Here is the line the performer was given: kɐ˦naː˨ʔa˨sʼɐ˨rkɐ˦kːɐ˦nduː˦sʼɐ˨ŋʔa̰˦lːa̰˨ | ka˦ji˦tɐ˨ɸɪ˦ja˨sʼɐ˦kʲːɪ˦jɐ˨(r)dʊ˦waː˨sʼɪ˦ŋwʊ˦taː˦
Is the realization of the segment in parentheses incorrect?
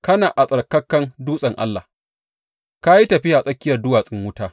no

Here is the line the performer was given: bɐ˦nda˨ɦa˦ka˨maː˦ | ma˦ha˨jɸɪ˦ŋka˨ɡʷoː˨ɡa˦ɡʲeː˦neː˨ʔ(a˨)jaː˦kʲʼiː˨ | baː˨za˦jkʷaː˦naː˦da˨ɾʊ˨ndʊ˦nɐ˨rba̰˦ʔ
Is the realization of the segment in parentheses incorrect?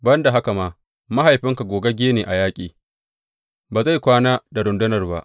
no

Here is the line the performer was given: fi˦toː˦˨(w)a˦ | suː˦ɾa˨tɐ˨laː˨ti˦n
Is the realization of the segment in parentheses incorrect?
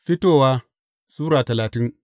no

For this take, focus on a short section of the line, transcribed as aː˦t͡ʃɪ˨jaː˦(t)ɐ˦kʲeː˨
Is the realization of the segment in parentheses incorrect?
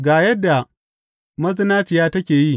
no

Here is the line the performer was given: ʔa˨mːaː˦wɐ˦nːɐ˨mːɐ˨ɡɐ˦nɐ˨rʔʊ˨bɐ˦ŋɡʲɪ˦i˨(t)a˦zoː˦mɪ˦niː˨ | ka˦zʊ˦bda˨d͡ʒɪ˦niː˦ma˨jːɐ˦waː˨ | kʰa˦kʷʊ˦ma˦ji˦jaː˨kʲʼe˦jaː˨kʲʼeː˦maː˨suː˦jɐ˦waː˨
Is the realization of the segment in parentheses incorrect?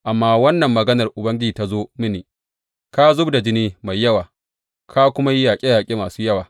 no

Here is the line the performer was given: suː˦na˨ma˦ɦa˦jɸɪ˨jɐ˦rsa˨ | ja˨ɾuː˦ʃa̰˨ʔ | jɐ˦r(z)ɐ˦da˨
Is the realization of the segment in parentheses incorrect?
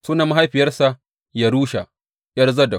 no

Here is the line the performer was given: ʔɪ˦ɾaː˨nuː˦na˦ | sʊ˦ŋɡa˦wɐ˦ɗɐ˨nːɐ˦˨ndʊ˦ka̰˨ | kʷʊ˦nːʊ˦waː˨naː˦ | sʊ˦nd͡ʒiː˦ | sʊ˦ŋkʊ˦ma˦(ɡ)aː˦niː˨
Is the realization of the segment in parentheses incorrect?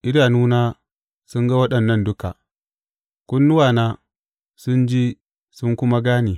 no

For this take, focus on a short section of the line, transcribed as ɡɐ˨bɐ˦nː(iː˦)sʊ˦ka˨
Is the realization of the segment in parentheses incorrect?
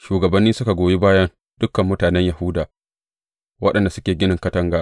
no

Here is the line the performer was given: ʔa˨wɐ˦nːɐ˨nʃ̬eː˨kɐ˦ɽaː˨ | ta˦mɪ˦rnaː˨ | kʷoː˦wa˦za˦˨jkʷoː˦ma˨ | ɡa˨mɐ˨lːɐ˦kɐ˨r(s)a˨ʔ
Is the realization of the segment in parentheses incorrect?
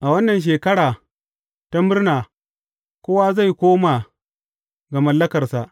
no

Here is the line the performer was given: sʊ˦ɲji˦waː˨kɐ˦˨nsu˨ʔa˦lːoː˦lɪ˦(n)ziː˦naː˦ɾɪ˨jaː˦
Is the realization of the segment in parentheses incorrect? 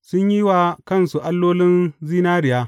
no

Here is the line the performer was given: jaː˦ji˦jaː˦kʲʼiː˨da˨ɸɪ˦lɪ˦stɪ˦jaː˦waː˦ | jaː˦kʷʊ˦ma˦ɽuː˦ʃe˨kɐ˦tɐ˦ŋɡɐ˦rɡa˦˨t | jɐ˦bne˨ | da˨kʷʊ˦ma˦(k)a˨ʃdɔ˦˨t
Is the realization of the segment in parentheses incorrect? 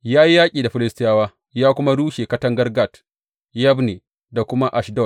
yes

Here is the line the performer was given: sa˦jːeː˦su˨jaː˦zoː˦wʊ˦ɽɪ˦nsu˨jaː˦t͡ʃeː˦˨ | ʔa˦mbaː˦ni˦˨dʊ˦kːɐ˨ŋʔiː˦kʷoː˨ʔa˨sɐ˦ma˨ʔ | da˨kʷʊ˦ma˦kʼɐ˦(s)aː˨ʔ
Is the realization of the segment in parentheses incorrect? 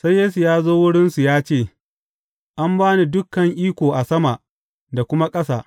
no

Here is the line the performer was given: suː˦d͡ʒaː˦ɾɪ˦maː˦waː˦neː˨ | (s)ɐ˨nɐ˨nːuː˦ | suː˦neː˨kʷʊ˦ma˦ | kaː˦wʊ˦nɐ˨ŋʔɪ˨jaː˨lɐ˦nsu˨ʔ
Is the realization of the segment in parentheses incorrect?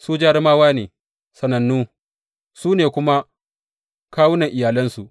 no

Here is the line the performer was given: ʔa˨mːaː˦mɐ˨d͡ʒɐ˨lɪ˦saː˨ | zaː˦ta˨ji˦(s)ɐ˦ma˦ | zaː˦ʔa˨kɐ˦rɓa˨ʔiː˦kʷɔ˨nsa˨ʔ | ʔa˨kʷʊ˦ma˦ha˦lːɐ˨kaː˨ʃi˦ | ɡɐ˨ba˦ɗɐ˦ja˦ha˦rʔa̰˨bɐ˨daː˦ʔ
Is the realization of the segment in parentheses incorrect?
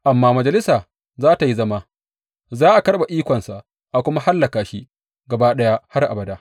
yes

